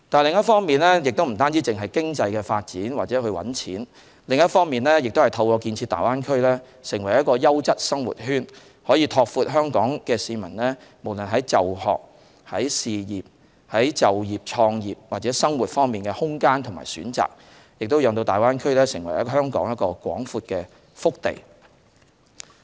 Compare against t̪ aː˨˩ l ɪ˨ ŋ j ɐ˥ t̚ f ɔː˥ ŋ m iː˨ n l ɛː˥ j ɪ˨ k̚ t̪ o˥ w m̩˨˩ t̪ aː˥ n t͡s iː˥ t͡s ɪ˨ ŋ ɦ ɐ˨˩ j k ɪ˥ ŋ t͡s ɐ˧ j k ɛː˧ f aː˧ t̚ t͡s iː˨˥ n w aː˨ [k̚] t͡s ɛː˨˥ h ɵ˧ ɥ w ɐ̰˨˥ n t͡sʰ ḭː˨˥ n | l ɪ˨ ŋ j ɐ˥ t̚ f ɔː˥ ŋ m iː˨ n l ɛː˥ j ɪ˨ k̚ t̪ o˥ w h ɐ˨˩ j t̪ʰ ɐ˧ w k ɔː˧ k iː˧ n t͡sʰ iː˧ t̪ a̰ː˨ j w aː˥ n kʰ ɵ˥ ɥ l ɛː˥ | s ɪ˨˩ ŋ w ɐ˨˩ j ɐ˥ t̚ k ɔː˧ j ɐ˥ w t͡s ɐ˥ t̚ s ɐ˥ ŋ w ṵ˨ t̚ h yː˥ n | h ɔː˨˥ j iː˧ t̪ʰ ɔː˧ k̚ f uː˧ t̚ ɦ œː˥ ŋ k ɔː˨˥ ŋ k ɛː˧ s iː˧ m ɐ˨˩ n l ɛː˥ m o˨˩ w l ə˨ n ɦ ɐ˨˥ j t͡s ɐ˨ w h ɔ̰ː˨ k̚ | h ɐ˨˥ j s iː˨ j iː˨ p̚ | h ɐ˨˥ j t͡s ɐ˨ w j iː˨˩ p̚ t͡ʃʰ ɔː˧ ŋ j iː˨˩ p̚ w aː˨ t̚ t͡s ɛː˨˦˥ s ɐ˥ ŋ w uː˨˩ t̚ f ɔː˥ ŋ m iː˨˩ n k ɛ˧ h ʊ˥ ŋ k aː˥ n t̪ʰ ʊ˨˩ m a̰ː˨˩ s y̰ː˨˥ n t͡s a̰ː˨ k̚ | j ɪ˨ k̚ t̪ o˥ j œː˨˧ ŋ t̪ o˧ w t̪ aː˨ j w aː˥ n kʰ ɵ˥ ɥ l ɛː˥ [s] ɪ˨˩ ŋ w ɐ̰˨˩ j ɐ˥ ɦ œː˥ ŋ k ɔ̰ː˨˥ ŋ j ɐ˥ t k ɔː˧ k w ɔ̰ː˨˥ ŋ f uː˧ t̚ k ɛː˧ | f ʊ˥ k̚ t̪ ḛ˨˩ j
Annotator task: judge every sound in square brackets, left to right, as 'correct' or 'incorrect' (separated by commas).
incorrect, correct